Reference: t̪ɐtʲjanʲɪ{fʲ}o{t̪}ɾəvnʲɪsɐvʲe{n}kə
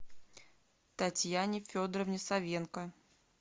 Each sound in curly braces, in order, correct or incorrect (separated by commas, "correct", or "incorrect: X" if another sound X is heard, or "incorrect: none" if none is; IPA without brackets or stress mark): correct, incorrect: d̪, correct